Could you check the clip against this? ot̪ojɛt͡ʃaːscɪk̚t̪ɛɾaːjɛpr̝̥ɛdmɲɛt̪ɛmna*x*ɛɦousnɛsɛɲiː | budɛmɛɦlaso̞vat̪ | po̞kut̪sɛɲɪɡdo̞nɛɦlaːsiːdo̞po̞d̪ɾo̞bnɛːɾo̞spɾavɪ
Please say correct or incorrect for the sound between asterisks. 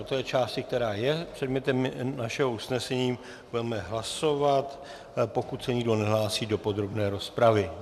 incorrect